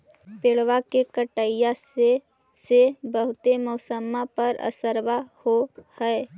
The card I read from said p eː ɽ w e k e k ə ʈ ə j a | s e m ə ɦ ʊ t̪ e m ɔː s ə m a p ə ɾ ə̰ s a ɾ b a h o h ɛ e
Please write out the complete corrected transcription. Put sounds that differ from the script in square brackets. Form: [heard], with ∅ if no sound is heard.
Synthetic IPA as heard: p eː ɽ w [a] k e k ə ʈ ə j a | s e [b] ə ɦ ʊ t̪ e m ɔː s ə m a p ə ɾ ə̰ s [ə] ɾ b a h o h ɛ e